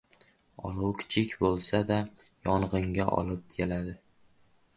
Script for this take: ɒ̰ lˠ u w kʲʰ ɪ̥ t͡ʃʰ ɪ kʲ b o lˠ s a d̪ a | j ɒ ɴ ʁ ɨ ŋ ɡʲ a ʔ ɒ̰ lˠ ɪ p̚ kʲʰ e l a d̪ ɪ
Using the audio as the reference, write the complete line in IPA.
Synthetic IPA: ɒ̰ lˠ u w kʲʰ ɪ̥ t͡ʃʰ ɪ kʲ b o lˠ s a d̪ a | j ɒ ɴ ʁ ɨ ŋ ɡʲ a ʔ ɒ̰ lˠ ɪ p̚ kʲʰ e l a d̪ ɪ